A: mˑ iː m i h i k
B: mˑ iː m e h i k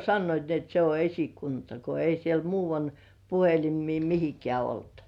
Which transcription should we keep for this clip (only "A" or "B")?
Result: A